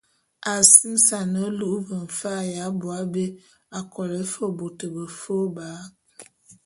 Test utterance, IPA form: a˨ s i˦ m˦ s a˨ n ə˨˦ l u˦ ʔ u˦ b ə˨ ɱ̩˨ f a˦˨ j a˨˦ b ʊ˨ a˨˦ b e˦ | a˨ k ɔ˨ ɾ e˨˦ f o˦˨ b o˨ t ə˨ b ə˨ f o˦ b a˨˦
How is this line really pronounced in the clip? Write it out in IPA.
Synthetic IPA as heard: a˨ s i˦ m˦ s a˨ n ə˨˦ l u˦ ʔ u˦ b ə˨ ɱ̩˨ f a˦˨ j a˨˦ b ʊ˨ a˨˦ b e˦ | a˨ k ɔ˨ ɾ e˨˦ f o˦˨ b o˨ t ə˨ b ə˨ f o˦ b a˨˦